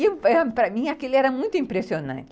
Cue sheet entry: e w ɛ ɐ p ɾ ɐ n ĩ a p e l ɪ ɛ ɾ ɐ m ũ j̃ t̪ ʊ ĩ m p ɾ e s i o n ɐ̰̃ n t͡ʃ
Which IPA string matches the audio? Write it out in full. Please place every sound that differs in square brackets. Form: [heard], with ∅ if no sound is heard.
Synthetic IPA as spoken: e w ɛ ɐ p ɾ ɐ [m] ĩ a [k] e l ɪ ɛ ɾ ɐ m ũ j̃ t̪ ʊ ĩ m p ɾ e s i o n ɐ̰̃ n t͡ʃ